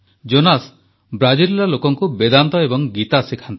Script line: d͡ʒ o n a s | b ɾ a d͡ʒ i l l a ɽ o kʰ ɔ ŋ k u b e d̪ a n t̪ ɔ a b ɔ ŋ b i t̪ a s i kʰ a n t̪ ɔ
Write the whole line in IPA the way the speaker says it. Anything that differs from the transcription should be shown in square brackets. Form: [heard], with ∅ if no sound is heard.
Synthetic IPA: d͡ʒ o n a s | b ɾ a d͡ʒ i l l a [l] o [k] ɔ ŋ k u b e d̪ a n t̪ ɔ [e] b ɔ ŋ [ɡ] i t̪ a s i kʰ a n t̪ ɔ